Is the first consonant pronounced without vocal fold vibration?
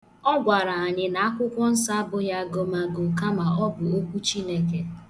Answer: no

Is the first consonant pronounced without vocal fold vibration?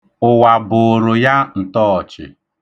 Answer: no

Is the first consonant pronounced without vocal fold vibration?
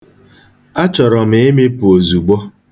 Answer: yes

